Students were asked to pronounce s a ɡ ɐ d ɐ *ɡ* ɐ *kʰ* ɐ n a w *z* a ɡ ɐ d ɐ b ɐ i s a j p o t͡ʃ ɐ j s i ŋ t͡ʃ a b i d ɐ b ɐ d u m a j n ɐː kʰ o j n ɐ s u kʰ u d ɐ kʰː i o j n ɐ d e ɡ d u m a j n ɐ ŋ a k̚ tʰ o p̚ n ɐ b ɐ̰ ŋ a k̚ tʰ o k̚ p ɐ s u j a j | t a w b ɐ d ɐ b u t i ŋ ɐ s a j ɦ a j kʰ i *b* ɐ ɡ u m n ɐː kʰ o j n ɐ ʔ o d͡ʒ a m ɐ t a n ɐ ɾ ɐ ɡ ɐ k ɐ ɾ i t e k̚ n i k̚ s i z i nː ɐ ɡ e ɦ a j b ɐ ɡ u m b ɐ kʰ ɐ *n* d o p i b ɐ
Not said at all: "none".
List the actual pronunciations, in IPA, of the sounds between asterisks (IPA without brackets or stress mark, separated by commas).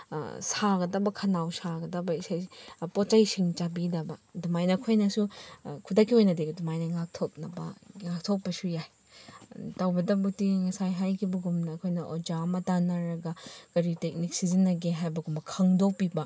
b, kʰ, s, b, ŋ